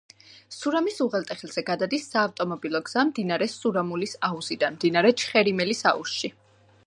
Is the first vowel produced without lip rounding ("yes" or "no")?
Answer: no